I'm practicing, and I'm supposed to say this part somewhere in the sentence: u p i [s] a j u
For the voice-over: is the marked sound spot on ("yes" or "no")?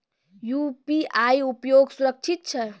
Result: no